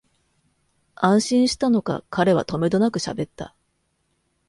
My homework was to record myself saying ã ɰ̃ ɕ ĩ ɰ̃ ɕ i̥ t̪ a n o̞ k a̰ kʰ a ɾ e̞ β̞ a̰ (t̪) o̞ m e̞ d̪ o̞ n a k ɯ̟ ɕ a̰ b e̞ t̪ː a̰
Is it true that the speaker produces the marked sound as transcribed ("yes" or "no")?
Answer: yes